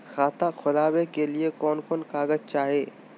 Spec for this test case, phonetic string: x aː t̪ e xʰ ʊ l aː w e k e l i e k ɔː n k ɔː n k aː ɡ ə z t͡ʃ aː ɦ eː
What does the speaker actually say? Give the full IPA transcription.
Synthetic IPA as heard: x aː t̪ a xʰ ʊ l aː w e k e l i e k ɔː n k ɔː n k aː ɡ ə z t͡ʃ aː ɦ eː

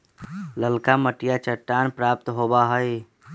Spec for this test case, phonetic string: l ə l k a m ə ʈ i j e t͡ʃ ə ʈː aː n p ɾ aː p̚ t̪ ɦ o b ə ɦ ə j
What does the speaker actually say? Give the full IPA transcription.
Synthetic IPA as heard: l ə l k a m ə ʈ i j a t͡ʃ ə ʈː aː n p ɾ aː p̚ t̪ ɦ o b a ɦ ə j

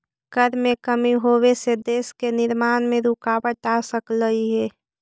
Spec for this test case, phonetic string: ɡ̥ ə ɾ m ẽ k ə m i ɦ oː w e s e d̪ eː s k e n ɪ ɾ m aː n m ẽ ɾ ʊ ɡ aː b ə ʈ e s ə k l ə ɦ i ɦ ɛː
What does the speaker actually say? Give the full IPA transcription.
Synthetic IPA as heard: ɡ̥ ə ɾ m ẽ k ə m i ɦ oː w e s e d̪ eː s k e n ɪ ɾ m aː n m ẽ ɾ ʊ k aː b ə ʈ a s ə k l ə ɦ i ɦ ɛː

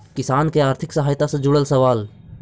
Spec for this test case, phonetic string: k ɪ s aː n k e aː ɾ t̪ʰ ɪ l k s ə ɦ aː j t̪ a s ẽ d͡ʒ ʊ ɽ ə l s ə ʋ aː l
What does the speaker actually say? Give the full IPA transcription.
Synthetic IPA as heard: k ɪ s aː n k e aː ɾ t̪ʰ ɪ k s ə ɦ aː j t̪ a s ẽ d͡ʒ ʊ ɽ ə l s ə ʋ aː l

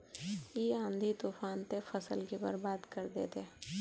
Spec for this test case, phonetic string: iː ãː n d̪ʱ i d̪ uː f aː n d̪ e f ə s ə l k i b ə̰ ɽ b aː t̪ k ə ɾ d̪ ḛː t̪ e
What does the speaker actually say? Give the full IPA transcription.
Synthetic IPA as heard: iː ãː n d̪ʱ i t̪ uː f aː n t̪ e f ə s ə l k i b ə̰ ɾ b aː d̪ k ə ɾ d̪ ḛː t̪ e

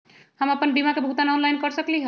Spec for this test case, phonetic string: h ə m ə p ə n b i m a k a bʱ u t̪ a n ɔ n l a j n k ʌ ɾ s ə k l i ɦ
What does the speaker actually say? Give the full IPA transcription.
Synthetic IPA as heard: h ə m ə p ə n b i m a k e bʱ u t̪ a n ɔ n l a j n k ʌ ɾ s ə k l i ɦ

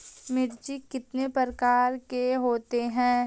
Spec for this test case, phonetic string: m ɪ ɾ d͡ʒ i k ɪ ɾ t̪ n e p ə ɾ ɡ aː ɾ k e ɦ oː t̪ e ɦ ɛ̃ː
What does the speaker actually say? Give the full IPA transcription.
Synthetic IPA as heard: m ɪ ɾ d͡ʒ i k ɪ t̪ n e p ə ɾ k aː ɾ k e ɦ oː t̪ e ɦ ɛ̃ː

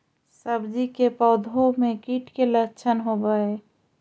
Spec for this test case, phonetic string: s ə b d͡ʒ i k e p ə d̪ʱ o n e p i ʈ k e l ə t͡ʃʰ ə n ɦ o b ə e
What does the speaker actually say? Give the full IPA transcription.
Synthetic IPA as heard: s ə b d͡ʒ i k e p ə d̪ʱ o m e k i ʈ k e l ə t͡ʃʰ ə n ɦ o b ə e

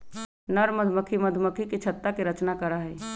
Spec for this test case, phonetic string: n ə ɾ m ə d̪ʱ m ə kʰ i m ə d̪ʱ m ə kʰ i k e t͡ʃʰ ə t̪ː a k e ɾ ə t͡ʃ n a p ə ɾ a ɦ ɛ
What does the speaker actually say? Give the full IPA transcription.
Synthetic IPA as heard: n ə ɾ m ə d̪ʱ m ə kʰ i m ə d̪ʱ m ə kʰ i k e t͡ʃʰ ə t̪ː a k e ɾ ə t͡ʃ n a k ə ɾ a ɦ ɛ

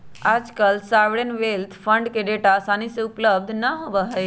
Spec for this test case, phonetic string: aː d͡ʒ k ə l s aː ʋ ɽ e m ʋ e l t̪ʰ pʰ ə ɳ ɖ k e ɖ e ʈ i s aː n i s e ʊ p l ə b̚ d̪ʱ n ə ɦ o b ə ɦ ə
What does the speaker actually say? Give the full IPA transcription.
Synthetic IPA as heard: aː d͡ʒ k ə l s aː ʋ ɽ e n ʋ e l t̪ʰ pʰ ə ɳ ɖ k e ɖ e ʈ a s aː n i s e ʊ p l ə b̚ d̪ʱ n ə ɦ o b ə ɦ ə

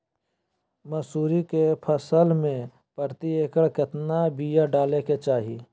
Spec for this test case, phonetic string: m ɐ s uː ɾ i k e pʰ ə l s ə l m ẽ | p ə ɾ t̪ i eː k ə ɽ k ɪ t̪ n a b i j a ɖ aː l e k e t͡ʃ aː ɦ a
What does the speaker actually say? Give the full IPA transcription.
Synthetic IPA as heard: m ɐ s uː ɾ i k e pʰ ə s ə l m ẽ | p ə ɾ t̪ i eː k ə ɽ k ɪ t̪ n a b i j a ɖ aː l e k e t͡ʃ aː ɦ i

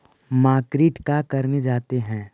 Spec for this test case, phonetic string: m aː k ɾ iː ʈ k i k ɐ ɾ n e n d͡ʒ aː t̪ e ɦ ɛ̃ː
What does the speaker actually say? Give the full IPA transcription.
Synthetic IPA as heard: m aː k ɾ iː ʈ k a k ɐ ɾ n e d͡ʒ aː t̪ e ɦ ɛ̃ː

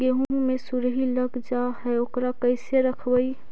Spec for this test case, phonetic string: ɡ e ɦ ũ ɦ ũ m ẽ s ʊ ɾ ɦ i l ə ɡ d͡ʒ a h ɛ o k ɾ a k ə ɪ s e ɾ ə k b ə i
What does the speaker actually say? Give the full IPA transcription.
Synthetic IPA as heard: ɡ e ɦ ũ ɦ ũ m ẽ s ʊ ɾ ɦ i l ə ɡ d͡ʒ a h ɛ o k ɾ a k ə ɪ s e ɾ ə kʰ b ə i

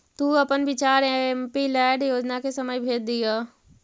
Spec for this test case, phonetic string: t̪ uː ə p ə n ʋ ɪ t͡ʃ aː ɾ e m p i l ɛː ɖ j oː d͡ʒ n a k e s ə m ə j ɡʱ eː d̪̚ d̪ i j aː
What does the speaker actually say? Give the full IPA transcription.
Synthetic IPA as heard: t̪ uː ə p ə n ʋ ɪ t͡ʃ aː ɾ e m p i l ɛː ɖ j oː d͡ʒ n a k e s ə m ə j bʱ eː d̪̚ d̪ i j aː

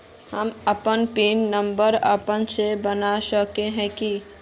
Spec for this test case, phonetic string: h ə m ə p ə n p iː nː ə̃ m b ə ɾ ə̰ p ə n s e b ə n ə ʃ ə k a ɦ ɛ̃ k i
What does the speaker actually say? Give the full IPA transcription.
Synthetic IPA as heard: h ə m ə p ə n p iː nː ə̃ m b ə ɾ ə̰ p ə n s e b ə n a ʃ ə k e ɦ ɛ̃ k i

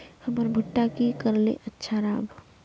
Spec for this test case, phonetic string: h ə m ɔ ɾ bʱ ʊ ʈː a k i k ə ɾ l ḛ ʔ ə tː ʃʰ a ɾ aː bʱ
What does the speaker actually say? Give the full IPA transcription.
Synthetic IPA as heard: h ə m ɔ ɾ bʱ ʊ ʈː a k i k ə ɾ l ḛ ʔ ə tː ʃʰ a ɾ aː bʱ

